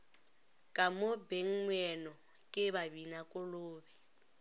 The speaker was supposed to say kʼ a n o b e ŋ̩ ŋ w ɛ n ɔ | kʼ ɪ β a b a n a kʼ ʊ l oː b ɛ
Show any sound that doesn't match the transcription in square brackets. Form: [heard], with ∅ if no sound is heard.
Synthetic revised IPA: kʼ a [m] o b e ŋ̩ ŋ w ɛ n ɔ | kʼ ɪ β a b [i] n a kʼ ʊ l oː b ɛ